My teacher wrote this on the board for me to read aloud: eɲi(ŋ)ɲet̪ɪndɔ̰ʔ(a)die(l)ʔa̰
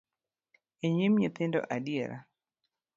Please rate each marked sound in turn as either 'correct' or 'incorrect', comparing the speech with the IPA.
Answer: incorrect: m, correct, incorrect: ɾ

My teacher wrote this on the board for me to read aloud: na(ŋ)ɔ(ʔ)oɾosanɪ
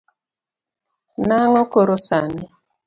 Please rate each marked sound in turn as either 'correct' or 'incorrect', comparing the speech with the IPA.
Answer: correct, incorrect: k

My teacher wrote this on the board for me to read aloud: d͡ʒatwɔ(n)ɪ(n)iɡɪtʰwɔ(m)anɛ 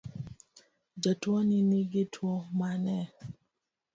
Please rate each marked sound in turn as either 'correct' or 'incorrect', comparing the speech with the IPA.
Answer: correct, correct, correct

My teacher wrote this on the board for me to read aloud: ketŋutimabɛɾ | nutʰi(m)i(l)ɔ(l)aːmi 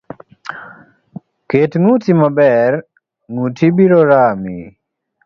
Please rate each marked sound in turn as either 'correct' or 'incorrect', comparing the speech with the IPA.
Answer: incorrect: b, incorrect: ɾ, incorrect: ɾ

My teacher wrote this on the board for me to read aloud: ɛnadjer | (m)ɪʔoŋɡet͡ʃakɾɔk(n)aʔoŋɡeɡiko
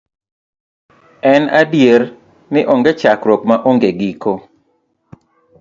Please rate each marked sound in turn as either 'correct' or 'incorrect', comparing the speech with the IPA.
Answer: incorrect: n, incorrect: m

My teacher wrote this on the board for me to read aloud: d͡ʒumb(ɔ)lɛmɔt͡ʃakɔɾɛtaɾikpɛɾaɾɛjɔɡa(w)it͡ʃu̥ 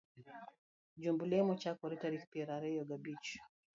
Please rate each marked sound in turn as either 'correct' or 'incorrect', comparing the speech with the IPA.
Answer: incorrect: u, incorrect: b

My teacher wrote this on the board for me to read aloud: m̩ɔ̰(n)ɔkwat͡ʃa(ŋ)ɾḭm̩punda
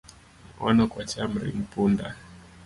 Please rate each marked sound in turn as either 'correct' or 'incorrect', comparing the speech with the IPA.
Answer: correct, incorrect: m

